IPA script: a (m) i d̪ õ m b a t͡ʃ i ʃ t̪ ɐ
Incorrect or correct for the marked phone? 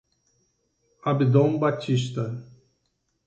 incorrect: b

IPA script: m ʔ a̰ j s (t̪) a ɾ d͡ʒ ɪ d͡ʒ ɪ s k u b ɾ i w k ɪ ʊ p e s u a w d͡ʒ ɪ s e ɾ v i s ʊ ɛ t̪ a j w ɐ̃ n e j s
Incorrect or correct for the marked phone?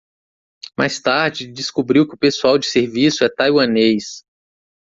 correct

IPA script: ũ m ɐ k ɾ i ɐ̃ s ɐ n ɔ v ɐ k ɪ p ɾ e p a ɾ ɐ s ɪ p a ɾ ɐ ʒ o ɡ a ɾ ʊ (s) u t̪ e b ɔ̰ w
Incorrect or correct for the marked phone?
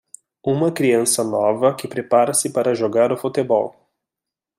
incorrect: f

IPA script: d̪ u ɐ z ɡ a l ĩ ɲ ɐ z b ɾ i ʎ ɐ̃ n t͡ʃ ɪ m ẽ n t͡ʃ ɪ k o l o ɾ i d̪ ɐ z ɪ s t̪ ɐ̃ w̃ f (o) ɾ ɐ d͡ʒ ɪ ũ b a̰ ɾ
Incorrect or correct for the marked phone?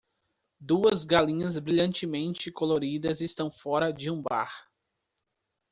incorrect: ɔ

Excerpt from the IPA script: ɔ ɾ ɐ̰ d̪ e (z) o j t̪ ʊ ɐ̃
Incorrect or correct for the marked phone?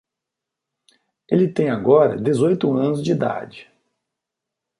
correct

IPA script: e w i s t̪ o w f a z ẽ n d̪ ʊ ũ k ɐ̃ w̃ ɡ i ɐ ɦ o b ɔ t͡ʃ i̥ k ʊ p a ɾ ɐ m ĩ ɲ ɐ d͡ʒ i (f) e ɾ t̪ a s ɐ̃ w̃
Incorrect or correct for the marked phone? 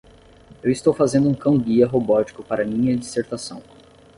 incorrect: s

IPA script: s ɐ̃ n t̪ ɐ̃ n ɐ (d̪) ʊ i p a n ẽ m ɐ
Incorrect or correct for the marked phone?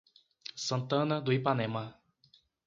correct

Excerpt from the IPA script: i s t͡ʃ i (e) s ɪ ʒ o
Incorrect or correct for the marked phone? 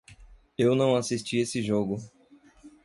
correct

